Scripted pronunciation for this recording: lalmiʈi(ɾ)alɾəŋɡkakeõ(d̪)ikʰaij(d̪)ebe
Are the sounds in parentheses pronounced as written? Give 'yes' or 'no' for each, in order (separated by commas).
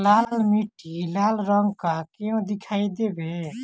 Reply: no, yes, yes